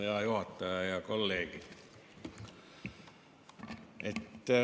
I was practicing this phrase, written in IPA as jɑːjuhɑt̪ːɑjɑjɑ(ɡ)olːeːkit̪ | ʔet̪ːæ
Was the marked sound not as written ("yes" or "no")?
yes